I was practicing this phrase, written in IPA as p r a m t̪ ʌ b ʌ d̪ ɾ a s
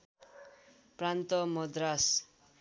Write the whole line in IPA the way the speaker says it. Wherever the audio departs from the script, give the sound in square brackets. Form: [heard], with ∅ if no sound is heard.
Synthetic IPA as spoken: p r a [n] t̪ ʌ [m] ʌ d̪ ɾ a s